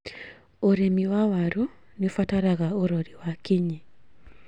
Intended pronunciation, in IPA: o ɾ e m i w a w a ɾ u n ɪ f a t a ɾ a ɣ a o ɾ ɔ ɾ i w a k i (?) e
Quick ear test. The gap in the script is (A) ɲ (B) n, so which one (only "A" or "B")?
A